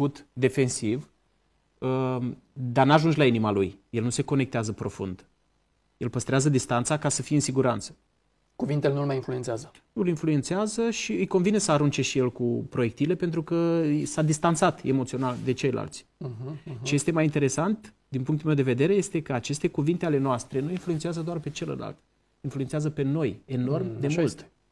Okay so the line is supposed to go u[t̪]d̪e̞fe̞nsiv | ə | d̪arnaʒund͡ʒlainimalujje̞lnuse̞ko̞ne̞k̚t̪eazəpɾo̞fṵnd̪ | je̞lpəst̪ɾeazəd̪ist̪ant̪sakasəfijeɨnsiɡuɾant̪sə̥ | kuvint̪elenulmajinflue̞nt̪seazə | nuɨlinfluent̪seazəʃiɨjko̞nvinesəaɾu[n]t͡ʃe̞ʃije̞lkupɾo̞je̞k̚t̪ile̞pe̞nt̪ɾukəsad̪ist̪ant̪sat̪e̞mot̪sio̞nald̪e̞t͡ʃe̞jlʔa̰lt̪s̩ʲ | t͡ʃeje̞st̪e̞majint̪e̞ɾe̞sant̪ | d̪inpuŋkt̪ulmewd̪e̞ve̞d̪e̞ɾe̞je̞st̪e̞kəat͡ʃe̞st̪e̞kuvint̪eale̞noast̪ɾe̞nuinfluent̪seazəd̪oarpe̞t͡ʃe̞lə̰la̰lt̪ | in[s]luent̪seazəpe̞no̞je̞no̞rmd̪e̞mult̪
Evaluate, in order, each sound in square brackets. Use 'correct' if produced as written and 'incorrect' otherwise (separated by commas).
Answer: correct, correct, incorrect